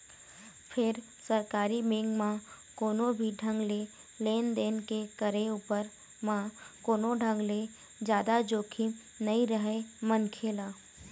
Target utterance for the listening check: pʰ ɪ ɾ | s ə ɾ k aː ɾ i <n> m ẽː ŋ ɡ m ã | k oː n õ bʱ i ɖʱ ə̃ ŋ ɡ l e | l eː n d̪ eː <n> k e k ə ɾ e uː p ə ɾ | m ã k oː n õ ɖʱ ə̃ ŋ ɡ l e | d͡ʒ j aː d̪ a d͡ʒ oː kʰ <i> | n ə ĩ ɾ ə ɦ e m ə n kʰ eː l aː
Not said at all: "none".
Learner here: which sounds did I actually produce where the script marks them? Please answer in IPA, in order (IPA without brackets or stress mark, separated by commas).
none, n, i